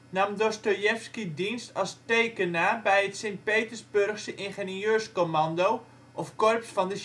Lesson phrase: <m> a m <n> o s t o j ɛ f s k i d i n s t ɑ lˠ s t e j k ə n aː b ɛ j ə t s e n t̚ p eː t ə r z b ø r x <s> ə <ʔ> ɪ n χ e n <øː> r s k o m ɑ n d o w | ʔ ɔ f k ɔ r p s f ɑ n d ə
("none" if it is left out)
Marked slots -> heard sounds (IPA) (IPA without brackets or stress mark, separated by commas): n, d, s, ʔ, øː